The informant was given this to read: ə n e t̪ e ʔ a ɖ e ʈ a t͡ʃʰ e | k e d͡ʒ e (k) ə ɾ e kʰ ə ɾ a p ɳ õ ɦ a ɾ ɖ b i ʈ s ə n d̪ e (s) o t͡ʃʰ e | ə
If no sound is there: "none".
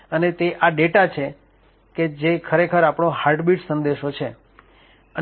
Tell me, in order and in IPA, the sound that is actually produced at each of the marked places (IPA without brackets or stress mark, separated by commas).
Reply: kʰ, ʃ